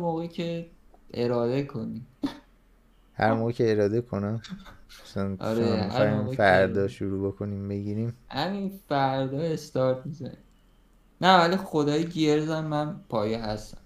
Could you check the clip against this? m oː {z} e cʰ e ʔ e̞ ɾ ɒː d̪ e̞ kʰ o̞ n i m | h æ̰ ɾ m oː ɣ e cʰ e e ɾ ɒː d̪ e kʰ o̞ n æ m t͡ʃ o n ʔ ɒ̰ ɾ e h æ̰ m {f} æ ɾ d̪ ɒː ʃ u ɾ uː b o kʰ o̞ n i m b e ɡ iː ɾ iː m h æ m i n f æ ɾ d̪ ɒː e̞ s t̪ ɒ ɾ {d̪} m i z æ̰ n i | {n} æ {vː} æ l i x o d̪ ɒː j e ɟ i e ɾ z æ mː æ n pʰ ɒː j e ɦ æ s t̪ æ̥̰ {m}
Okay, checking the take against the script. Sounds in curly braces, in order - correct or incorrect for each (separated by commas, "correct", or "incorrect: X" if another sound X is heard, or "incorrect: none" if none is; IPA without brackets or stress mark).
incorrect: ɣ, correct, incorrect: t̪, correct, incorrect: v, correct